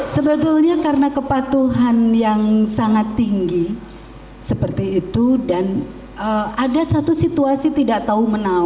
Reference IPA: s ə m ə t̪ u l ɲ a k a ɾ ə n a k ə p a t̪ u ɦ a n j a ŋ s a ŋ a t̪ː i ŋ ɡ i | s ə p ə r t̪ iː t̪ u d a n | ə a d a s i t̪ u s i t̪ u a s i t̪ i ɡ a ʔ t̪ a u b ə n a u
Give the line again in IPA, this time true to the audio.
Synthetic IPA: s ə b ə t̪ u l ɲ a k a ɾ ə n a k ə p a t̪ u ɦ a n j a ŋ s a ŋ a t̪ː i ŋ ɡ i | s ə p ə r t̪ iː t̪ u d a n | ə a d a s a t̪ u s i t̪ u a s i t̪ i d a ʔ t̪ a u m ə n a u